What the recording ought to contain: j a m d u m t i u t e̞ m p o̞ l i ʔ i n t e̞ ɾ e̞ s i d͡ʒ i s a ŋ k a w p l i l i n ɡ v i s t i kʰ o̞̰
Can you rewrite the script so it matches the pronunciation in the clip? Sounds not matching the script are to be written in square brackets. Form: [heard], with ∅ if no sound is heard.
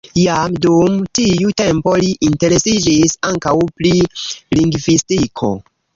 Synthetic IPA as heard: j a m d u m t i u t e̞ m p o̞ l i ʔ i n t e̞ ɾ e̞ s i d͡ʒ i s a ŋ k a w p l i l i [ŋ] ɡ v i s t i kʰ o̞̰